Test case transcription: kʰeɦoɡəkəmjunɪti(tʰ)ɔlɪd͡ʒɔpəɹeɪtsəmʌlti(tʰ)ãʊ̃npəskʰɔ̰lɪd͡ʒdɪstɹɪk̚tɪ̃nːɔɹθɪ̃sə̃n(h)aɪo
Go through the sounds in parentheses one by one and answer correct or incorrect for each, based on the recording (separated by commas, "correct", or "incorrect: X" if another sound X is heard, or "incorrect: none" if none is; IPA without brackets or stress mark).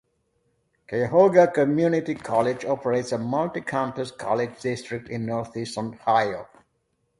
incorrect: kʰ, incorrect: kʰ, correct